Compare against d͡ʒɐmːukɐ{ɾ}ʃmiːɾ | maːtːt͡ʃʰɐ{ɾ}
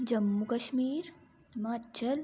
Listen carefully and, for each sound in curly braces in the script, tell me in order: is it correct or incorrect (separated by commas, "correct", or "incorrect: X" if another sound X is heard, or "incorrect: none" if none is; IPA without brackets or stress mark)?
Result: incorrect: none, incorrect: l